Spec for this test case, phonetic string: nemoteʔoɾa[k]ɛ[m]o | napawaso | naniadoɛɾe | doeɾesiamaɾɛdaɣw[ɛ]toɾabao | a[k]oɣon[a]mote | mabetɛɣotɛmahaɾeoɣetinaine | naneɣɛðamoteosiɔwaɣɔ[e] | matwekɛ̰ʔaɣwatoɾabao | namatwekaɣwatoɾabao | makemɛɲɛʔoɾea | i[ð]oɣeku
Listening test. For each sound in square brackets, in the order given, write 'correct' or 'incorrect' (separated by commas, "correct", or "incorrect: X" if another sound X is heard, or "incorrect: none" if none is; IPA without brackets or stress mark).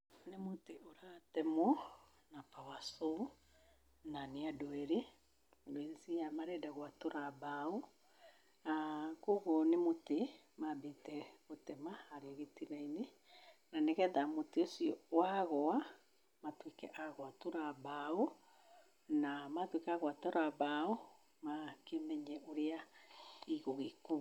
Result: incorrect: t, correct, incorrect: a, correct, incorrect: e, incorrect: a, incorrect: ɣ